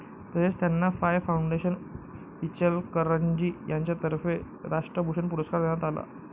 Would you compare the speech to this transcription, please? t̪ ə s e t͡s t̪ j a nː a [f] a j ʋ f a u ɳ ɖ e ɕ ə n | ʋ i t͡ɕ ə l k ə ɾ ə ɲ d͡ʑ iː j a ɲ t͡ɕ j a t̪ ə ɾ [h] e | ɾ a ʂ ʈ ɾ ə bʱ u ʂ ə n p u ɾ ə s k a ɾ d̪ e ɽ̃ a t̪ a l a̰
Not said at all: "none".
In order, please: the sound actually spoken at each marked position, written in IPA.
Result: f, f

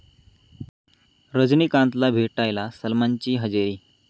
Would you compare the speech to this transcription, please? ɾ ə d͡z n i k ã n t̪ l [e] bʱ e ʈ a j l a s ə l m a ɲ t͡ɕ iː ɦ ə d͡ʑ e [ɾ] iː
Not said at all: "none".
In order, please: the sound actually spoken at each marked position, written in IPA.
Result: a, ɾ

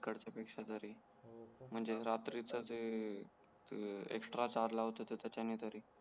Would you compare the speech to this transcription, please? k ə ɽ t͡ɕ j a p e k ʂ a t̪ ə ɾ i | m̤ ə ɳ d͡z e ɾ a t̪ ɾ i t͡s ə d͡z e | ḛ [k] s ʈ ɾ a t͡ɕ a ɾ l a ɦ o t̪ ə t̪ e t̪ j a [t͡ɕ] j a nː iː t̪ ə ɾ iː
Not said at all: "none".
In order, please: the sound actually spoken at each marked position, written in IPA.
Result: k, t͡ɕ

